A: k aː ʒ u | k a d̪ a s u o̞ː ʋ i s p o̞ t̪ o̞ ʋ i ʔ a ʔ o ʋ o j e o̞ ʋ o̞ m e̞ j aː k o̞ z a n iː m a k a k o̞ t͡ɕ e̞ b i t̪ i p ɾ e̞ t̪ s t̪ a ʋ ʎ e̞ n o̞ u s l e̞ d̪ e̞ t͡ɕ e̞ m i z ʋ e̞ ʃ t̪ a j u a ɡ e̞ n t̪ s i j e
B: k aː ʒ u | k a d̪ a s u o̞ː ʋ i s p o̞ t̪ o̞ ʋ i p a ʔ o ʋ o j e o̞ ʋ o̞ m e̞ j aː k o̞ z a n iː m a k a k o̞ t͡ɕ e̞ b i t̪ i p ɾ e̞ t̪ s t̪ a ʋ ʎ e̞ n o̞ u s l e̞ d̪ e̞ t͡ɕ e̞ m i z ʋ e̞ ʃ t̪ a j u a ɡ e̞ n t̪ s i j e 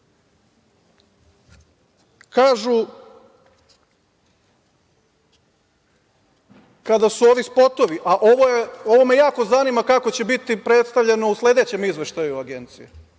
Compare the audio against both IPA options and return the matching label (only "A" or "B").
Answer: A